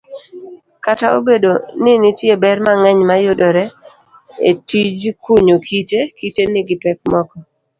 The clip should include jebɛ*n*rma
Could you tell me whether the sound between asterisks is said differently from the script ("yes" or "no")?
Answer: yes